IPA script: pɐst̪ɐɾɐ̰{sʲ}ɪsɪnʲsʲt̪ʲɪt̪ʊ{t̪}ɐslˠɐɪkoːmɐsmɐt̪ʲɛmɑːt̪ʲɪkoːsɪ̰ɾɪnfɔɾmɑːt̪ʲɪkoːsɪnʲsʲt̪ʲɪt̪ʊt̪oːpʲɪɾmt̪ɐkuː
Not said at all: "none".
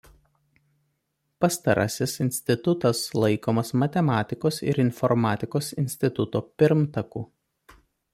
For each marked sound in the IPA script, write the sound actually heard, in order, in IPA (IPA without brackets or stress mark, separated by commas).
sʲ, t̪